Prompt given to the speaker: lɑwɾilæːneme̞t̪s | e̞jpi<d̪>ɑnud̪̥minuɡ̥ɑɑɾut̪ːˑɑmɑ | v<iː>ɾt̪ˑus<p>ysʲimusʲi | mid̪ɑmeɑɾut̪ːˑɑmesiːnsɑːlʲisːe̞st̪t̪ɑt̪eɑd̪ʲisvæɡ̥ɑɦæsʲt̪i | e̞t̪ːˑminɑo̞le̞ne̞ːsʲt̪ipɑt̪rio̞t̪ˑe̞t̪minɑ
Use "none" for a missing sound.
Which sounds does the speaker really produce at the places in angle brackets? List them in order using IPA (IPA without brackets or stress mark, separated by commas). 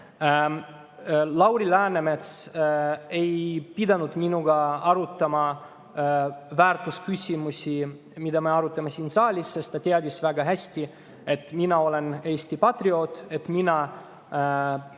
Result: d̪, æː, k